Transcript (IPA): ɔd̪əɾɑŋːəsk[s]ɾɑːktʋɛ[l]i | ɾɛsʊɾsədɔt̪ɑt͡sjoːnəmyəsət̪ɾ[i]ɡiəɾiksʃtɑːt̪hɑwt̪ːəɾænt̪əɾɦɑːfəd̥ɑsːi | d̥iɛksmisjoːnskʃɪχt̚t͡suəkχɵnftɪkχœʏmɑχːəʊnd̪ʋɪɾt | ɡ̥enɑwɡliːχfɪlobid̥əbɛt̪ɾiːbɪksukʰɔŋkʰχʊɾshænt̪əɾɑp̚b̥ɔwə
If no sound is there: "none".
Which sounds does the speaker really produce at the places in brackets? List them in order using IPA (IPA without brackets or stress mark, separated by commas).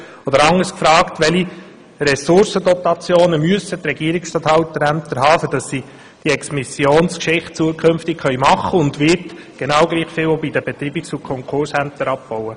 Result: f, l, ɛ